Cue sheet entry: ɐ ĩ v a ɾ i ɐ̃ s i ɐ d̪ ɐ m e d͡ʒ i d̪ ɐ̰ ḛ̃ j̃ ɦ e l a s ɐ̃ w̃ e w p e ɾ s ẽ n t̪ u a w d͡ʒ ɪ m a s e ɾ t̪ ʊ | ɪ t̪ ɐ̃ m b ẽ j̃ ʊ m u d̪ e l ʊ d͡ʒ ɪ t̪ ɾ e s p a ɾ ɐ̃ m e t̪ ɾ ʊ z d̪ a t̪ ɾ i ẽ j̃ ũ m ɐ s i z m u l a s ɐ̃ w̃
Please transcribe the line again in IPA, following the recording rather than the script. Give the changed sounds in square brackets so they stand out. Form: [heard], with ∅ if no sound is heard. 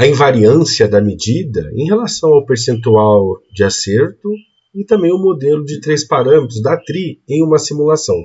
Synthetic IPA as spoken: ɐ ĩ v a ɾ i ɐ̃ s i ɐ d̪ ɐ m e d͡ʒ i d̪ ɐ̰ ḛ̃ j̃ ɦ e l a s ɐ̃ w̃ [a] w p e ɾ s ẽ n t̪ u a w d͡ʒ ɪ [∅] a s e ɾ t̪ ʊ | ɪ t̪ ɐ̃ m b ẽ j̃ ʊ m [o] d̪ e l ʊ d͡ʒ ɪ t̪ ɾ e s p a ɾ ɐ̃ m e t̪ ɾ ʊ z d̪ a t̪ ɾ i ẽ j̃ ũ m ɐ s i [∅] m u l a s ɐ̃ w̃